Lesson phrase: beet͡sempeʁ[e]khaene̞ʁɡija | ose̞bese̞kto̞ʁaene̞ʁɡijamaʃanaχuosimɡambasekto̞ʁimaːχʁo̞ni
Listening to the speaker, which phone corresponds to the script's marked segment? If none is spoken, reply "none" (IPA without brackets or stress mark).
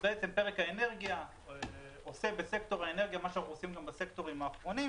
e